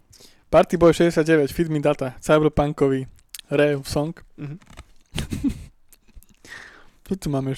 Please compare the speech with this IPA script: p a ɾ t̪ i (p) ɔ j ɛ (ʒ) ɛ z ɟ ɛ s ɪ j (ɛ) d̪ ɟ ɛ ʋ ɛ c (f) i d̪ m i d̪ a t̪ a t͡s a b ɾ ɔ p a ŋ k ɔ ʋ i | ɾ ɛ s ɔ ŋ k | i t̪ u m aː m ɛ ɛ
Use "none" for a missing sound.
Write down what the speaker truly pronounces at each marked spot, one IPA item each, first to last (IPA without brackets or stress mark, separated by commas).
b, ʃ, a, f